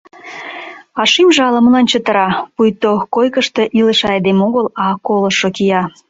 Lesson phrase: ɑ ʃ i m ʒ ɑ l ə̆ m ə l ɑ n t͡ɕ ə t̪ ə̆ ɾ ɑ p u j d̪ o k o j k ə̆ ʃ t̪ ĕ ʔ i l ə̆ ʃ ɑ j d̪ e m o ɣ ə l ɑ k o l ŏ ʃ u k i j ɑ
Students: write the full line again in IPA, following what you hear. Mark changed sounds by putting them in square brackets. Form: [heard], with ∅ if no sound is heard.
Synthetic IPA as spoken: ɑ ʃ i m ʒ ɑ l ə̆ m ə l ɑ n t͡ɕ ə t̪ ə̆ ɾ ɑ p u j [t̪] o k o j k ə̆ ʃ t̪ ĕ ʔ i l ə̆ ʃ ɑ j d̪ e m o ɣ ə l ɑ k o l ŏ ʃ [o] k i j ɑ